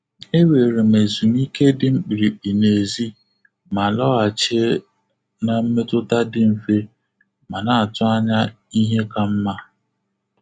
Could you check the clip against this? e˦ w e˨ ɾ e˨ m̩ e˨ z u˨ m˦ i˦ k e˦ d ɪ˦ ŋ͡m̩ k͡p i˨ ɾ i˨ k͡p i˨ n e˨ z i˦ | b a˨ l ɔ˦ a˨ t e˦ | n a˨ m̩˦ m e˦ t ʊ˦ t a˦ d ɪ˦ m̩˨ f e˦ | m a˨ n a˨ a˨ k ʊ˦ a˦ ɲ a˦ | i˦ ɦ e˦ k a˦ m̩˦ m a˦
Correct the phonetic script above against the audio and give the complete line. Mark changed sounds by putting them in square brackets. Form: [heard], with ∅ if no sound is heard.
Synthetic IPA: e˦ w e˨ ɾ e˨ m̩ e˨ z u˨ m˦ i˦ k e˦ d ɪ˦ ŋ͡m̩ k͡p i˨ ɾ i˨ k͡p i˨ n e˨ z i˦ | [m] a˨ l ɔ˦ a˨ [t͡ʃ] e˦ | n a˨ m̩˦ m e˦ t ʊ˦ t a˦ d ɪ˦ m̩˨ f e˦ | m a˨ n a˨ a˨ [t] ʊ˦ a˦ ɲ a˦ | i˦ ɦ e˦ k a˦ m̩˦ m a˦